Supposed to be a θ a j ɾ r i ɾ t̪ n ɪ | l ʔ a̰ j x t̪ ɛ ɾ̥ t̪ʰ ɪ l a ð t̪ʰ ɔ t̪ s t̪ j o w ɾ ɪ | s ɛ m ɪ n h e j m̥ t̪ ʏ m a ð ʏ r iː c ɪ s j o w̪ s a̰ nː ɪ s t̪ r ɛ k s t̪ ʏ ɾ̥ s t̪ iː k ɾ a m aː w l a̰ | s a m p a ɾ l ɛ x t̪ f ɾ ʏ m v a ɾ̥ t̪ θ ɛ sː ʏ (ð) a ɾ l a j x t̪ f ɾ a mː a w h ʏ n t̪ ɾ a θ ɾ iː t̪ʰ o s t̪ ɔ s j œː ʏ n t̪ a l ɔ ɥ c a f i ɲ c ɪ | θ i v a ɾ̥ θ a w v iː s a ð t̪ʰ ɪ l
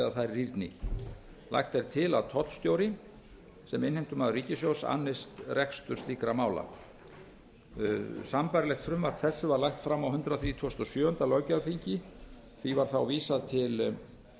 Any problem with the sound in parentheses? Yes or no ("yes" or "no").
yes